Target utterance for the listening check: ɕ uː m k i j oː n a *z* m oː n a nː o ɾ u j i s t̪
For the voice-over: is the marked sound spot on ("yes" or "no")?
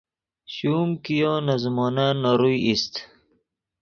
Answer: yes